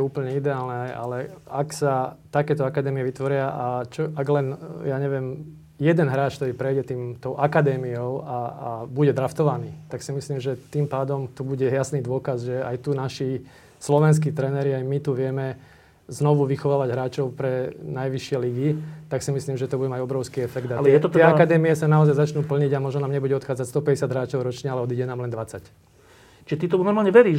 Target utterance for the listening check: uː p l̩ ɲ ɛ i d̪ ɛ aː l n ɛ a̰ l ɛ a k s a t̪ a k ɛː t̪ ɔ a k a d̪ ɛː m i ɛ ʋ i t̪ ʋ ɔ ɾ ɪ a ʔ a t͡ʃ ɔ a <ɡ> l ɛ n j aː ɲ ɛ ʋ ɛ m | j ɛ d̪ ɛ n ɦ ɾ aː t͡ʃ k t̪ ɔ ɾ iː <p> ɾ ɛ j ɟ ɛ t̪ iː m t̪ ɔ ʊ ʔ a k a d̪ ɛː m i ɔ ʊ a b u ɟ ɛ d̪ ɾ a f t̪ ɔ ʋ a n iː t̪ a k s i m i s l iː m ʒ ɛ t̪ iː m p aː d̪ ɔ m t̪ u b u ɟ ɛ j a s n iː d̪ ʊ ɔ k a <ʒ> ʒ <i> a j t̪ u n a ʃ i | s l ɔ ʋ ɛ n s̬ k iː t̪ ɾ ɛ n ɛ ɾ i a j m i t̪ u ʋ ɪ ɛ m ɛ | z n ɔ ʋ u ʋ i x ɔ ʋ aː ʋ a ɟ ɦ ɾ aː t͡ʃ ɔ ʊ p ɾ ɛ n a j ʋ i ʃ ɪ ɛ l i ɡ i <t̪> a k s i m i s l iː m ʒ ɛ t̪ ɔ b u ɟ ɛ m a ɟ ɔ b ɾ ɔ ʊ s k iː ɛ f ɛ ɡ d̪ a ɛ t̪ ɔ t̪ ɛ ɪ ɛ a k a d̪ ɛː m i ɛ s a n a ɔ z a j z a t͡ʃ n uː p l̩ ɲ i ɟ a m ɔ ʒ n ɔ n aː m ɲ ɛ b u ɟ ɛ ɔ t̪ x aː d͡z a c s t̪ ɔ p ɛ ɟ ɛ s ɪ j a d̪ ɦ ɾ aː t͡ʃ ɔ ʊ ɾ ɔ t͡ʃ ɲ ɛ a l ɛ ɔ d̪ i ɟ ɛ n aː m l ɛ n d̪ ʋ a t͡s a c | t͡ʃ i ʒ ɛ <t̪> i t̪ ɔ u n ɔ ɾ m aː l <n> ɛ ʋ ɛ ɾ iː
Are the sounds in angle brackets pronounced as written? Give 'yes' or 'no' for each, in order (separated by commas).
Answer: yes, yes, no, no, yes, yes, no